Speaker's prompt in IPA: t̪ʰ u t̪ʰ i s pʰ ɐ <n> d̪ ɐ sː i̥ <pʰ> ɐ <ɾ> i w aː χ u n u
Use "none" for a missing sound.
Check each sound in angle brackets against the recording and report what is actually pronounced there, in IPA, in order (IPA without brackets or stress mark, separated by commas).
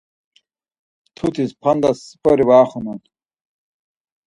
n, p, ɾ